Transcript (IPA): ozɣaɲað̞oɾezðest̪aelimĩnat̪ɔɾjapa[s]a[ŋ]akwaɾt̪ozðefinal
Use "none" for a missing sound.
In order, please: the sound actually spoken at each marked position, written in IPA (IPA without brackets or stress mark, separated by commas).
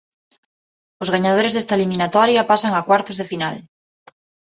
s, ŋ